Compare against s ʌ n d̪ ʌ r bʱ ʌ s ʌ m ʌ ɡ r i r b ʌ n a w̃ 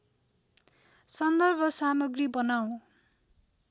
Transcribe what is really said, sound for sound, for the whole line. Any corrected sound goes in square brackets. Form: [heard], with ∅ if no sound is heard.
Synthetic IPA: s ʌ n d̪ ʌ r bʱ ʌ s [a] m ʌ ɡ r i [∅] b ʌ n a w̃